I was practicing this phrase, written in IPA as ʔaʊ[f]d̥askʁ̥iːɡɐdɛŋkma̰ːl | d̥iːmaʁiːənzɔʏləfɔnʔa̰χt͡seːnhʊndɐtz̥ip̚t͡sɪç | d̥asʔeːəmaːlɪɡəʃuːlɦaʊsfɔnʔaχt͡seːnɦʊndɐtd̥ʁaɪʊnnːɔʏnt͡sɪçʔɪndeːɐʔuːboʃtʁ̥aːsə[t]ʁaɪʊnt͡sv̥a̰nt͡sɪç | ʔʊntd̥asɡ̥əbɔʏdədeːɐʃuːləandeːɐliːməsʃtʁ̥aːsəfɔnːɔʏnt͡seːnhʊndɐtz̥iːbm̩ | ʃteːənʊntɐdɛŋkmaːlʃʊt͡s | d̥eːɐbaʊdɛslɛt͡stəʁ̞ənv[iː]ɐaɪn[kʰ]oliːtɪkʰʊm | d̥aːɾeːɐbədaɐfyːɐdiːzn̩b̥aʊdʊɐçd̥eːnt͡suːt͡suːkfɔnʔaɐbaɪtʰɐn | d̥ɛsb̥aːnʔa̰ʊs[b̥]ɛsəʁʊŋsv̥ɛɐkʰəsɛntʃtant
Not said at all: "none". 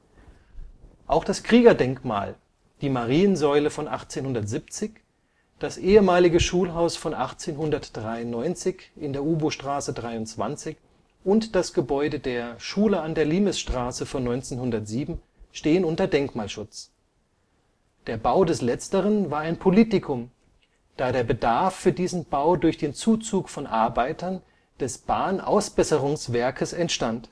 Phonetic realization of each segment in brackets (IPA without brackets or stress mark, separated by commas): x, d, aː, pʰ, b̥